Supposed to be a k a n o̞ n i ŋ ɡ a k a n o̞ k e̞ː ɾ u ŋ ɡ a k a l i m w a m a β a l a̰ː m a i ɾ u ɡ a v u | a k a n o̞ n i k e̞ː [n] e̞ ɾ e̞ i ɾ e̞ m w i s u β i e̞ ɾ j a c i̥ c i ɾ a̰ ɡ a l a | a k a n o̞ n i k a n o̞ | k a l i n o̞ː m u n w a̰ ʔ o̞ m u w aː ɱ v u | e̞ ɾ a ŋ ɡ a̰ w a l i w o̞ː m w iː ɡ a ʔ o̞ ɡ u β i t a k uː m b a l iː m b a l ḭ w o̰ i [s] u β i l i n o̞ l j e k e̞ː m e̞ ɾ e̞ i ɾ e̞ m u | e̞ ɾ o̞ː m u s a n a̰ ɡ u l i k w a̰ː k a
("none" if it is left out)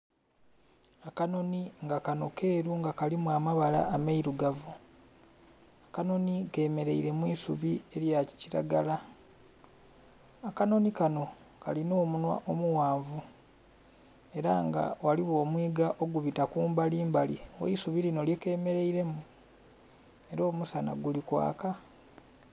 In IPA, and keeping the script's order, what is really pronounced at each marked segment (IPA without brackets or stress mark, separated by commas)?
m, s